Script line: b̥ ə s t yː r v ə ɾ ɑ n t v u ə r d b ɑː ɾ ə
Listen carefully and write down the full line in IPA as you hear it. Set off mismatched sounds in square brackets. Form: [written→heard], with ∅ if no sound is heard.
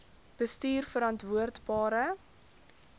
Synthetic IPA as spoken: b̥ ə s t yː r [v→f] ə ɾ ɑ n t v u ə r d b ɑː ɾ ə